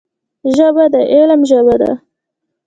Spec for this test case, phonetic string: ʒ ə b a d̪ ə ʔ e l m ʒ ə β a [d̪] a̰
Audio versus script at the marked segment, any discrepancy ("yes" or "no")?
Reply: no